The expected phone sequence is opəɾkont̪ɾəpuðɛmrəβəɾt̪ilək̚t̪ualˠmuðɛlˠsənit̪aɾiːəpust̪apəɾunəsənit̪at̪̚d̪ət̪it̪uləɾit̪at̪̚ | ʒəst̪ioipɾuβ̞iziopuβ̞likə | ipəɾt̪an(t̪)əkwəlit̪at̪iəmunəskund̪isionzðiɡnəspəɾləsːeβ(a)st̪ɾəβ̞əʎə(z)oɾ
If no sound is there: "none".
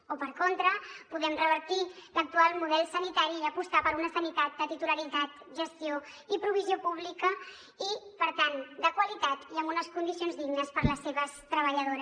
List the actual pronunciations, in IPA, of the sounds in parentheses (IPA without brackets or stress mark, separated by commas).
d̪, ə, ð